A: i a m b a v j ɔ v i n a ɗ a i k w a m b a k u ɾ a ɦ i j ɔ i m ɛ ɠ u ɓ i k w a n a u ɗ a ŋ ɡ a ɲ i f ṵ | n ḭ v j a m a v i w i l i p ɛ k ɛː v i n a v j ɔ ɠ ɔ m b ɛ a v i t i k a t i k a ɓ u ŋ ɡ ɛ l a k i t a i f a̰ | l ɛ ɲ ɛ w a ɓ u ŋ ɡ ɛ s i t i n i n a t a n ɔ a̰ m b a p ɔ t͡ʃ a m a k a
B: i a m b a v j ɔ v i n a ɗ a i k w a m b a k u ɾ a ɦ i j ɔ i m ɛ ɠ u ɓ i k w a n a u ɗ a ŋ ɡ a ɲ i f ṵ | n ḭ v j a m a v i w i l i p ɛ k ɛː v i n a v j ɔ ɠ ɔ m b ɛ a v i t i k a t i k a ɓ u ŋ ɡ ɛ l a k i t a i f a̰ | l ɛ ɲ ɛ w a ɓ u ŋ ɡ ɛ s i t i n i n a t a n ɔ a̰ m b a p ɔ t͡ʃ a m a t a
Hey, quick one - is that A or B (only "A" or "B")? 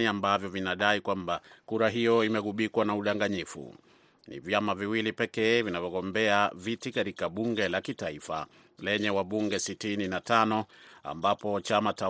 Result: B